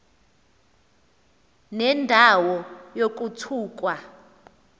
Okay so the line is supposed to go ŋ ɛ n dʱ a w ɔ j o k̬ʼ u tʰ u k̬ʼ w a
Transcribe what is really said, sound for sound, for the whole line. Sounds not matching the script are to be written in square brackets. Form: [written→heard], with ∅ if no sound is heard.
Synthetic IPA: [ŋ→n] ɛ n dʱ a w ɔ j o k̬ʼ u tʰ [u→uː] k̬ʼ w a